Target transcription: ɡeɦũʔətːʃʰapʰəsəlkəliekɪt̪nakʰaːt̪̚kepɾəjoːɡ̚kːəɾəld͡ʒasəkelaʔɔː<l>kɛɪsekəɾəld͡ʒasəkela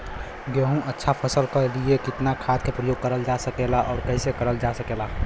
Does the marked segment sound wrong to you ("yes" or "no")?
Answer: yes